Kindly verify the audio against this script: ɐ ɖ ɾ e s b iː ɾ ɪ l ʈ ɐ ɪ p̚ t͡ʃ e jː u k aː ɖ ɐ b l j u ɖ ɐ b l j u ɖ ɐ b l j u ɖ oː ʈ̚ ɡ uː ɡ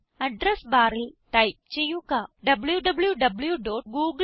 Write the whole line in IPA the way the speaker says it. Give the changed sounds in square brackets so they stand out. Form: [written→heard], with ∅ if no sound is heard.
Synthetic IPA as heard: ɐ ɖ ɾ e s b [iː→aː] ɾ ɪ l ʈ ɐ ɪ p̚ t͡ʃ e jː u k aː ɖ ɐ b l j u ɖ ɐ b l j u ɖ ɐ b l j u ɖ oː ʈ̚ ɡ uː ɡ